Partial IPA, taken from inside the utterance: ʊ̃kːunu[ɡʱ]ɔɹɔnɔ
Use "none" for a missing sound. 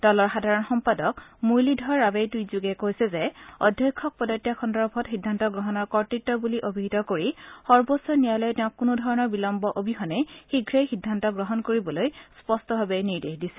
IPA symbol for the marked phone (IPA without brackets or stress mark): dʱ